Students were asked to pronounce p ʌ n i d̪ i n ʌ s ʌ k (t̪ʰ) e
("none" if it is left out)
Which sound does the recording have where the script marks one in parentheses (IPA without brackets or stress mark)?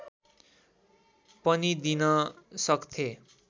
t̪ʰ